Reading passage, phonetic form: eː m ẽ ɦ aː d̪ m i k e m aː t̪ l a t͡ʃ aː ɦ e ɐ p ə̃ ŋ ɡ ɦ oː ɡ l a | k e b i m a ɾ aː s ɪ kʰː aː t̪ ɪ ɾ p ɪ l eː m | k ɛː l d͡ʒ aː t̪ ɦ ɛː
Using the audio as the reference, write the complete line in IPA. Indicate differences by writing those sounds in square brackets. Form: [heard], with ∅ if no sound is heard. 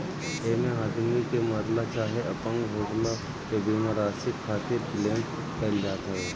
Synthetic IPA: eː m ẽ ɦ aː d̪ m i k e m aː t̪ l a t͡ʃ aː ɦ e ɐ p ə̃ ŋ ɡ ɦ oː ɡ l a | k e b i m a ɾ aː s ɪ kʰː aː t̪ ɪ ɾ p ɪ l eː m | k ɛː l d͡ʒ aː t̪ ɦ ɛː